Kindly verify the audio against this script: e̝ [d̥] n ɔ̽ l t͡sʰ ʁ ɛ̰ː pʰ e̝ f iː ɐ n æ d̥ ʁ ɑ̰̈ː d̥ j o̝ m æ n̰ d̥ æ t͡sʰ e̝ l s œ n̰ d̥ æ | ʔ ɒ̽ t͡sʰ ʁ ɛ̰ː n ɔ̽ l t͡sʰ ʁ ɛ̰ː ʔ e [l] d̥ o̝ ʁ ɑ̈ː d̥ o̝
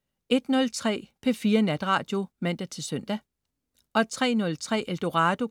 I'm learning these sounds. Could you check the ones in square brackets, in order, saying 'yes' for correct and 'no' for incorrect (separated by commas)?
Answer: yes, yes